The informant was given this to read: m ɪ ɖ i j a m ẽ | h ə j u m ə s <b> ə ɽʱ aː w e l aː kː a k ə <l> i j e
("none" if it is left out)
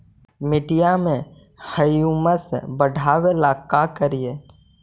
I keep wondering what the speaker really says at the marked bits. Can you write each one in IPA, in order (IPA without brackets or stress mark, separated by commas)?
b, ɾ